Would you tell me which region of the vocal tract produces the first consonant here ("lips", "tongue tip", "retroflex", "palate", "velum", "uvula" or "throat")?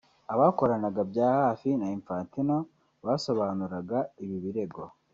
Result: lips